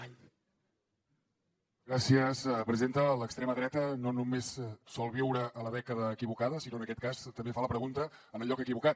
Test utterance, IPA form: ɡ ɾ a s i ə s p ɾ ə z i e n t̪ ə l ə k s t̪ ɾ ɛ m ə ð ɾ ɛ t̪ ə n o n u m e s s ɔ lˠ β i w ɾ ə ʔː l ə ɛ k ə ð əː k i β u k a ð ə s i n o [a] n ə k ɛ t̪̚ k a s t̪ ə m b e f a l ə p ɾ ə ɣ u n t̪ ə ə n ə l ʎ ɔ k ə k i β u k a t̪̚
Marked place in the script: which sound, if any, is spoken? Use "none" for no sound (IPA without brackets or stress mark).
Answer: ə